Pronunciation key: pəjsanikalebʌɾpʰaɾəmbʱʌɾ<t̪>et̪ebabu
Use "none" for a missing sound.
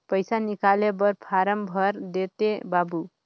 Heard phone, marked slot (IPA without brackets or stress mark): d̪